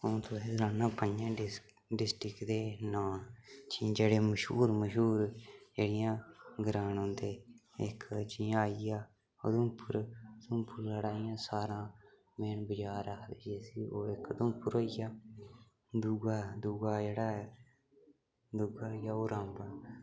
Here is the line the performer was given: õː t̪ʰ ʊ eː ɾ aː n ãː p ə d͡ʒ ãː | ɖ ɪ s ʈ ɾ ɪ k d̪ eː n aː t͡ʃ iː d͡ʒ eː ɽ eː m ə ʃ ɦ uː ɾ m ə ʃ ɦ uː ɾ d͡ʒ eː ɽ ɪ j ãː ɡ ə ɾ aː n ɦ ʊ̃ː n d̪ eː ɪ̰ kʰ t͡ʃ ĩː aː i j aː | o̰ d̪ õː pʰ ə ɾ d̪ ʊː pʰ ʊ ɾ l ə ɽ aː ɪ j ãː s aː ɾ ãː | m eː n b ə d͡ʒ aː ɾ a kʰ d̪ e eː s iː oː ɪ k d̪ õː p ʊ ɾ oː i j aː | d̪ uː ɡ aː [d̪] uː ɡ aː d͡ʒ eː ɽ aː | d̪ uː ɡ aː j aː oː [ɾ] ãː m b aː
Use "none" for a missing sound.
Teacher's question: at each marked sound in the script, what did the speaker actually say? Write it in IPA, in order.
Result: d̪, ɾ

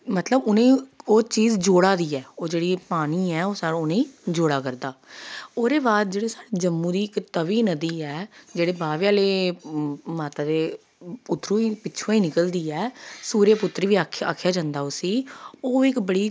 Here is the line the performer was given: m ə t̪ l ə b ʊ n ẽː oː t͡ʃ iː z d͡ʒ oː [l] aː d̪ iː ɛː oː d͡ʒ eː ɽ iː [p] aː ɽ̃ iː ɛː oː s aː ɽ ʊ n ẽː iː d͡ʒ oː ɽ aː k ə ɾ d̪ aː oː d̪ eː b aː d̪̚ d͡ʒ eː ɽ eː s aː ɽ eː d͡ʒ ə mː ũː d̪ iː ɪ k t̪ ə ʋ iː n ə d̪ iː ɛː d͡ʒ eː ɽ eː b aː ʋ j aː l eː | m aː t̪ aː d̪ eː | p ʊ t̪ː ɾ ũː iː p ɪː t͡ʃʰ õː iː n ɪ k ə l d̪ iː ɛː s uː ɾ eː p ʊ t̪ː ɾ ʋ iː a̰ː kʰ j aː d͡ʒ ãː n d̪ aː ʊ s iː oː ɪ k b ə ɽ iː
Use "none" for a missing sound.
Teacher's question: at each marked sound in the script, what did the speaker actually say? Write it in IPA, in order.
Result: ɽ, p

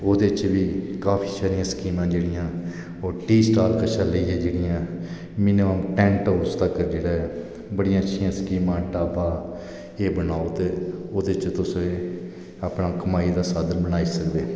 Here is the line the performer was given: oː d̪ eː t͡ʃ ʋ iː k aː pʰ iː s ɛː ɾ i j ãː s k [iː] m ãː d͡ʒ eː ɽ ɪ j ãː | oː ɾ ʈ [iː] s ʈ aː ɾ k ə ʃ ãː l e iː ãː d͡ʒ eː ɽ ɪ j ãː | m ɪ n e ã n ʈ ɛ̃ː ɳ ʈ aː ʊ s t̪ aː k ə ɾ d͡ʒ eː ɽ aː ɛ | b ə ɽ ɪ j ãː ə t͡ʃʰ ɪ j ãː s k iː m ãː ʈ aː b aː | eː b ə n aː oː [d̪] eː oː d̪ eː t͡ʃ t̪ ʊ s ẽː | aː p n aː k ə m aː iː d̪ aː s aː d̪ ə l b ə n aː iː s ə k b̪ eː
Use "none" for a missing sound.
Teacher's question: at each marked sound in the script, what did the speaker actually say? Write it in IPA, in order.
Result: iː, iː, t̪

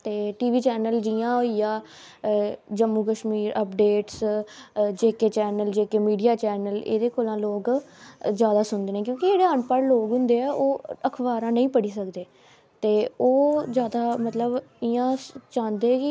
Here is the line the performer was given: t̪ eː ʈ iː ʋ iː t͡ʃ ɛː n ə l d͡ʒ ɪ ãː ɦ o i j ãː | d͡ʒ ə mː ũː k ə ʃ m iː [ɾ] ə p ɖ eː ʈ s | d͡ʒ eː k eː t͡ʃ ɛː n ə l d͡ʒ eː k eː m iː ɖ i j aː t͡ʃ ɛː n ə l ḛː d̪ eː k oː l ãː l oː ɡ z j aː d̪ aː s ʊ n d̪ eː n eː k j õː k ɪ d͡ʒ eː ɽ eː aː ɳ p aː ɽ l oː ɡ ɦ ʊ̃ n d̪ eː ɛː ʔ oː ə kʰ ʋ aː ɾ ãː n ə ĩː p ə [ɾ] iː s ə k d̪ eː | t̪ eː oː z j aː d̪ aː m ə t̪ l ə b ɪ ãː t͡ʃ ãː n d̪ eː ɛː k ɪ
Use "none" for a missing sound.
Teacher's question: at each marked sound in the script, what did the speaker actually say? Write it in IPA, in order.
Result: ɾ, ɽ

